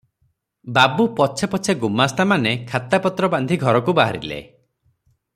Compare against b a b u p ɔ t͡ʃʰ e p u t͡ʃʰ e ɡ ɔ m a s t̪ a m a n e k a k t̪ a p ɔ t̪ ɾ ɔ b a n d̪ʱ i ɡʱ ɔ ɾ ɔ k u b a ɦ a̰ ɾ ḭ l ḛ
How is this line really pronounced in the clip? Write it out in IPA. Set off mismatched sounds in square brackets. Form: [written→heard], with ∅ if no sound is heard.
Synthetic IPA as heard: b a b u p ɔ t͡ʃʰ e p [u→ɔ] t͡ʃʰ e ɡ [ɔ→u] m a s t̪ a m a n e [k→kʰ] a [k→∅] t̪ a p ɔ t̪ ɾ ɔ b a n d̪ʱ i ɡʱ ɔ ɾ ɔ k u b a ɦ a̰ ɾ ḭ l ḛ